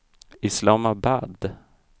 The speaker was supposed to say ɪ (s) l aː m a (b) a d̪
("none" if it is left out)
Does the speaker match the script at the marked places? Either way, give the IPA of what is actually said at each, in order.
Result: s, b

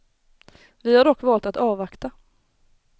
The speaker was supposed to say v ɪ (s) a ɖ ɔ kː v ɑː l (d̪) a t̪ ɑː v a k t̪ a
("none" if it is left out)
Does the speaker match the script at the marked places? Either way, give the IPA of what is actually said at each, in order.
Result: h, t̪

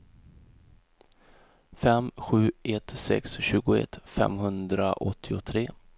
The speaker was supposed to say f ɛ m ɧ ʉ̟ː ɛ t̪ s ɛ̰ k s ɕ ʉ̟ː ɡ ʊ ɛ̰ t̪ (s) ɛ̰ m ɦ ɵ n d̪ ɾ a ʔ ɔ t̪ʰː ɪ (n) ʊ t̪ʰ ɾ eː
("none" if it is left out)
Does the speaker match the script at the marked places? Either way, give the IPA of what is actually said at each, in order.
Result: f, none

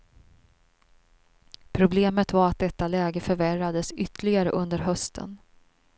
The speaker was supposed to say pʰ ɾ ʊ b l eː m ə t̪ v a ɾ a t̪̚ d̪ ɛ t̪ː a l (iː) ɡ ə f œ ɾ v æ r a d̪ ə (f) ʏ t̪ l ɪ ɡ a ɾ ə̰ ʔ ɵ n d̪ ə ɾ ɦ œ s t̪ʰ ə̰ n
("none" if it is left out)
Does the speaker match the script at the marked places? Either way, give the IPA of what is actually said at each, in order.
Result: ɛː, s

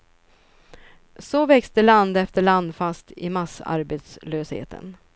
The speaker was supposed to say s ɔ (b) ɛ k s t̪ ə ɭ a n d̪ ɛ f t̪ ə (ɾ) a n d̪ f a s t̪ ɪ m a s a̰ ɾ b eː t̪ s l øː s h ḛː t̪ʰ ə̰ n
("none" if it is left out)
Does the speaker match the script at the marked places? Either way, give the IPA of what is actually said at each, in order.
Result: v, ɭ

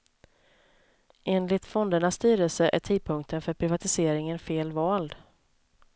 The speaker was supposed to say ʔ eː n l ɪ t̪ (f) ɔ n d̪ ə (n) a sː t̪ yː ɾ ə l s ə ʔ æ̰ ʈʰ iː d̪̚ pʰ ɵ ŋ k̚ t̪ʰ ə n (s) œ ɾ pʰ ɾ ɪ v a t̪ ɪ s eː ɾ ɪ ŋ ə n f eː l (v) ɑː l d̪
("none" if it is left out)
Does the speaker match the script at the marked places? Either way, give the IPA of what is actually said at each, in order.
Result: f, ɳ, f, v

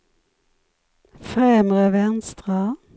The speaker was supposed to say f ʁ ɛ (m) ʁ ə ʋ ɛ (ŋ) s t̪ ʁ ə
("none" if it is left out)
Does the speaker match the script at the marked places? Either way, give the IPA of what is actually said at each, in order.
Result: m, n

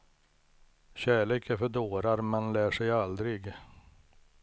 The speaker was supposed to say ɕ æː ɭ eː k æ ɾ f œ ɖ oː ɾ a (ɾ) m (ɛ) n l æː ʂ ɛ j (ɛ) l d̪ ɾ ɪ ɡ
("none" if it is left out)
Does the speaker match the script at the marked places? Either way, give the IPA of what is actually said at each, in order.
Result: ɾ, ɛ, a

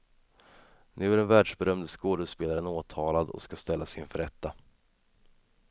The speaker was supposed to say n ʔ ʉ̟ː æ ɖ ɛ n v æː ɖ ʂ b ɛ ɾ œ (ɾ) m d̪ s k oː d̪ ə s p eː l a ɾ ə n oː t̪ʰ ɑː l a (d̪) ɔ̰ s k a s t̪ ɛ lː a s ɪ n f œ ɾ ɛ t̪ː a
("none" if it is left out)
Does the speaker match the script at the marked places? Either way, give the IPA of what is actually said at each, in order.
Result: none, d̪

